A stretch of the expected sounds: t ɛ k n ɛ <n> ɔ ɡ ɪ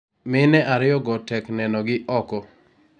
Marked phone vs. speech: correct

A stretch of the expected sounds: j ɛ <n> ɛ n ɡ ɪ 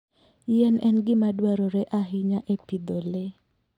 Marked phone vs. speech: correct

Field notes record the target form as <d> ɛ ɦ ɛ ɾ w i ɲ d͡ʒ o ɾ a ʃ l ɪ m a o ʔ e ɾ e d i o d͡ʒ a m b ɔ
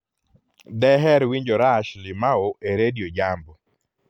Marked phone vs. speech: correct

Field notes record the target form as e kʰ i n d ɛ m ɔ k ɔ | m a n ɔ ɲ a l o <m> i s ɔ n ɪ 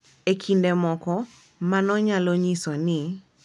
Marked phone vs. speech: incorrect: ɲ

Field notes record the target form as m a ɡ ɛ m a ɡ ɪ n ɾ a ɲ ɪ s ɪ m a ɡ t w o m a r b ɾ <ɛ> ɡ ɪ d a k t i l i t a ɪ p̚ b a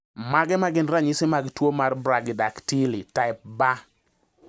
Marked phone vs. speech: incorrect: a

